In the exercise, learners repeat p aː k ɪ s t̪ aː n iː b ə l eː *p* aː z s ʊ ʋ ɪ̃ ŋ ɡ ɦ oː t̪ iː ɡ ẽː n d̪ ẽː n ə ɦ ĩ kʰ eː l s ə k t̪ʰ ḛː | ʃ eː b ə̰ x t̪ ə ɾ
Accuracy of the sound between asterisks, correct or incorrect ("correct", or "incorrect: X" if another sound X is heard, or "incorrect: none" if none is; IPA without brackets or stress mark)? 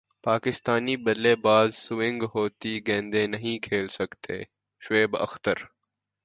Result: incorrect: b